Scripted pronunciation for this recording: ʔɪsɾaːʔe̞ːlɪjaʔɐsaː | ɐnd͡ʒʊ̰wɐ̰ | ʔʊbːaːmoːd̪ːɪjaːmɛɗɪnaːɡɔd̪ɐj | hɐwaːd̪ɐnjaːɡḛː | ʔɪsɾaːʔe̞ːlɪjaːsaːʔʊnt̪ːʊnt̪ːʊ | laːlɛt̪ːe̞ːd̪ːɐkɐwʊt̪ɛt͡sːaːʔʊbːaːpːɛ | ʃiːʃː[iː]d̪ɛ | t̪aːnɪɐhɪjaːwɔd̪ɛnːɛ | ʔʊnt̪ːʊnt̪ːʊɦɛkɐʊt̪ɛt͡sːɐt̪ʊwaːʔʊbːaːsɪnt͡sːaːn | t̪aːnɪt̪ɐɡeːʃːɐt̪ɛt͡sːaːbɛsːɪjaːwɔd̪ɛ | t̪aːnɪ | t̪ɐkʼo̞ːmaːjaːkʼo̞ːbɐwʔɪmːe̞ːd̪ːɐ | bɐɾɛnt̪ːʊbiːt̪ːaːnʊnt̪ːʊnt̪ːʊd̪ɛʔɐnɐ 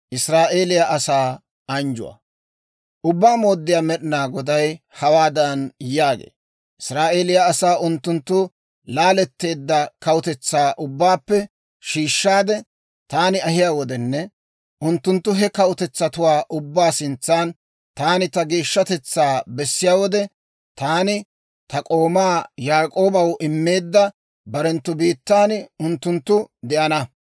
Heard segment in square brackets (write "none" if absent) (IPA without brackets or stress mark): aː